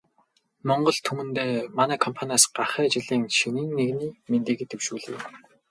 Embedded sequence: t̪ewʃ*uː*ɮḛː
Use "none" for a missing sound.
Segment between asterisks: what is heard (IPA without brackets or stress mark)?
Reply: uː